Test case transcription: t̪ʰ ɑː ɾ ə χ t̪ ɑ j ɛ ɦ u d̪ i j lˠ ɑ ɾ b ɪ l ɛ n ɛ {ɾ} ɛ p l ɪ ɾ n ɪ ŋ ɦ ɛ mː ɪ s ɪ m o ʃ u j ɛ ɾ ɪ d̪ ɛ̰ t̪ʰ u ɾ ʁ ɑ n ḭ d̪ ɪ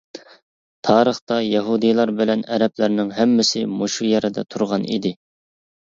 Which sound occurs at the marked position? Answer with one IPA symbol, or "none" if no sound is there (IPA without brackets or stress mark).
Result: ɾ